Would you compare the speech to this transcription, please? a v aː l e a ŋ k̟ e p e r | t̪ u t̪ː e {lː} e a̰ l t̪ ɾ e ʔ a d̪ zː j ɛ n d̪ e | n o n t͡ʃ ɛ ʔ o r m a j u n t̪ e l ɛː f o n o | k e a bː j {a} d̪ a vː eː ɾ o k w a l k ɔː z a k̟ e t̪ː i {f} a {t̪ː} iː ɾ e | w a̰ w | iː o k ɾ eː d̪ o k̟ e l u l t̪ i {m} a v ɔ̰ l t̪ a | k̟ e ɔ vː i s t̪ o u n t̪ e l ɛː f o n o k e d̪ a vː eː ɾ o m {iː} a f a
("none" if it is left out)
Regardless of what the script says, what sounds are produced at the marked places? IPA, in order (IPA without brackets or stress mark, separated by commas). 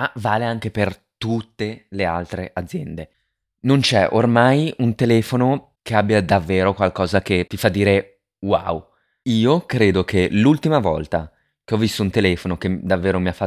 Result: l, a, f, d̪ː, m, i